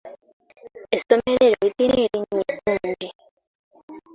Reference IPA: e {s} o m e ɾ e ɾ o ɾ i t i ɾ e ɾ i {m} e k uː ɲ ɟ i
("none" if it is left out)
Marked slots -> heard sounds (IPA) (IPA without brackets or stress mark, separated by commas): s, ɲ